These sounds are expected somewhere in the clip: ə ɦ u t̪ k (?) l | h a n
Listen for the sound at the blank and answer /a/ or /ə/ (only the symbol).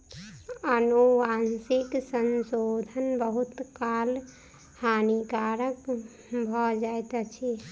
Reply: a